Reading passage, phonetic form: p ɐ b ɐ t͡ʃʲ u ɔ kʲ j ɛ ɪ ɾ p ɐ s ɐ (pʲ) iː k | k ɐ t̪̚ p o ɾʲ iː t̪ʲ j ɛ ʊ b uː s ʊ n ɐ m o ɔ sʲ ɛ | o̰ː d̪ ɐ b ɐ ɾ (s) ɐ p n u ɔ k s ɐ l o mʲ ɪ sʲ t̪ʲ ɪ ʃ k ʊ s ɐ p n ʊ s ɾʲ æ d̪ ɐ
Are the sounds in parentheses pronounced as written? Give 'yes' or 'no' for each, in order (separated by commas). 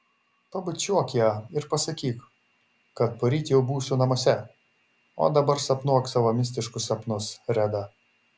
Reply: no, yes